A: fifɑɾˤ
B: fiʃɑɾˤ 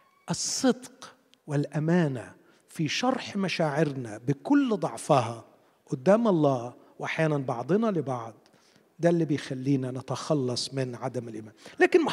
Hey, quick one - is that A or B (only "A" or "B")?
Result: B